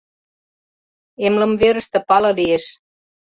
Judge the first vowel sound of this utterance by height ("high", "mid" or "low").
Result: mid